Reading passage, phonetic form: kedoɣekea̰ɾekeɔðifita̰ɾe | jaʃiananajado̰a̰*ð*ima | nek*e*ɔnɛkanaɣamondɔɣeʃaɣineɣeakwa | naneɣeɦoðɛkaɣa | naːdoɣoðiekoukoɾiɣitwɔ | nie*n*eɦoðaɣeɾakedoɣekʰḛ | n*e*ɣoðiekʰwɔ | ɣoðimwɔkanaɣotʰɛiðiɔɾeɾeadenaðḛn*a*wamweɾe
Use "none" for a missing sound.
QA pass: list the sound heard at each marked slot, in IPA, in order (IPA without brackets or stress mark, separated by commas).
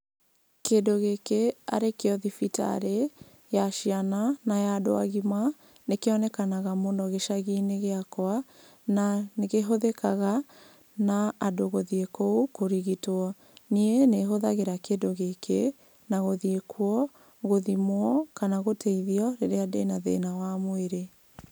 ɣ, e, n, a, a